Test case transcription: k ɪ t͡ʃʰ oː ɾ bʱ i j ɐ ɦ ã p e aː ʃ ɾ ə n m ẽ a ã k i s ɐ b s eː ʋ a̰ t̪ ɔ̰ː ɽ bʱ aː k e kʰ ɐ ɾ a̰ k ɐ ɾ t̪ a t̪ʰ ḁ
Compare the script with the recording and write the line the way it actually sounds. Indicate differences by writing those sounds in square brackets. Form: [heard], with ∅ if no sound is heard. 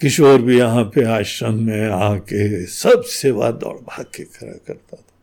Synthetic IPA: k ɪ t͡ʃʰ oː ɾ bʱ i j ɐ ɦ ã p e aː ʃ ɾ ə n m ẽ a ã k [e] s ɐ b s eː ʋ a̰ [d̪] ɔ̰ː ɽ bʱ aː k e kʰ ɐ ɾ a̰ k ɐ ɾ t̪ a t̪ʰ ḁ